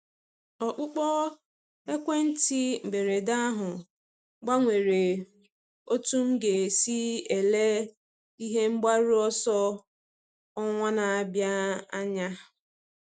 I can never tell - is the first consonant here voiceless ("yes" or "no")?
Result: yes